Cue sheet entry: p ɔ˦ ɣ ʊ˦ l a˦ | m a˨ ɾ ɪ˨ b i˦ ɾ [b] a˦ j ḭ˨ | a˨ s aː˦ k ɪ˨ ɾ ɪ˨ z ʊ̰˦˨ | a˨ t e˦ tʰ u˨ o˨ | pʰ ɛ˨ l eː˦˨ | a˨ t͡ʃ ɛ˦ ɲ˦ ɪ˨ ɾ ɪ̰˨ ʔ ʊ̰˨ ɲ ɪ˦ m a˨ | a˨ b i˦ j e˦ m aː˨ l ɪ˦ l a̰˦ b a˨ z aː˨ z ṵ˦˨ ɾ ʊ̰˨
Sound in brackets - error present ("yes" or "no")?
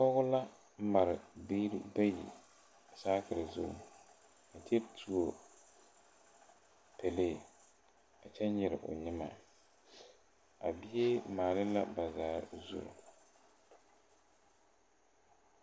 no